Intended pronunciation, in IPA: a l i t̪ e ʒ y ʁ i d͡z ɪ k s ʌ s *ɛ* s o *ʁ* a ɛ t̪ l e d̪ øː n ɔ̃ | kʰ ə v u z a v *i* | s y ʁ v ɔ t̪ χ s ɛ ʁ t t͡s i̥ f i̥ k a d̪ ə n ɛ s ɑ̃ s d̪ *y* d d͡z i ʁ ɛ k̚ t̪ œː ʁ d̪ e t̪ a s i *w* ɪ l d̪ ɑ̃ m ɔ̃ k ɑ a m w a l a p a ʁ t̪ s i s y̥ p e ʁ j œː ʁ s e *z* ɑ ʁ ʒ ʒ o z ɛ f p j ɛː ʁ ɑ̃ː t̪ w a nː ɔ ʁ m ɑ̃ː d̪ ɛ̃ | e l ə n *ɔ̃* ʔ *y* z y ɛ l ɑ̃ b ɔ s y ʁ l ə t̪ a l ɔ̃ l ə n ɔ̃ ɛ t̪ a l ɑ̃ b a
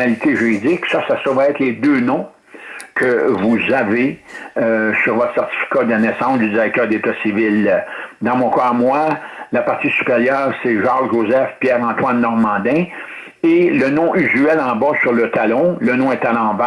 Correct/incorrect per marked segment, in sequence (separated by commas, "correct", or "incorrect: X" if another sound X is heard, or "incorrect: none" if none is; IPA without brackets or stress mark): incorrect: a, incorrect: v, incorrect: e, correct, incorrect: v, incorrect: ʒ, correct, correct